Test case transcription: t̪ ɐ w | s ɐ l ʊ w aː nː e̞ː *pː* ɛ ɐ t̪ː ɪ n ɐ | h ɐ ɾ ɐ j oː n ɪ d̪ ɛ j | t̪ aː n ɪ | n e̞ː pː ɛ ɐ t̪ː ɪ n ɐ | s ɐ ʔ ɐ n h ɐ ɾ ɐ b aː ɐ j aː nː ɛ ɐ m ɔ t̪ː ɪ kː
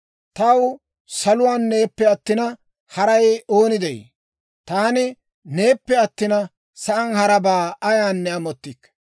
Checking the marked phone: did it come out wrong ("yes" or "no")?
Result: no